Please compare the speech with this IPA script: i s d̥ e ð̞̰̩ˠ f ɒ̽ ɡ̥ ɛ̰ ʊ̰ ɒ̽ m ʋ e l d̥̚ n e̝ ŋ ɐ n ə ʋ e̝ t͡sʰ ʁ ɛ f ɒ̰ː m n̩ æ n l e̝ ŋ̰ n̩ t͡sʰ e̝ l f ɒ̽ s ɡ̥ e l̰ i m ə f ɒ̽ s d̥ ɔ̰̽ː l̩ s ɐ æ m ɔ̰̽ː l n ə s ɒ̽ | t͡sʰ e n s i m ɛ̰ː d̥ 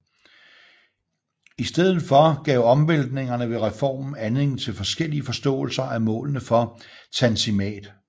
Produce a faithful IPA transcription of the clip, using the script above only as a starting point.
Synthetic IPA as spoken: i s d̥ e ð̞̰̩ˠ f ɒ̽ ɡ̥ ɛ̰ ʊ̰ ɒ̽ m ʋ e l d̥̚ n e̝ ŋ ɐ n ə ʋ e̝ ʁ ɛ f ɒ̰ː m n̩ æ n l e̝ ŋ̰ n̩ t͡sʰ e̝ l f ɒ̽ s ɡ̥ e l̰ i ə f ɒ̽ s d̥ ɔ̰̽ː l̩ s ɐ æ m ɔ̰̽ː l n ə f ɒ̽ | t͡sʰ æ n s i m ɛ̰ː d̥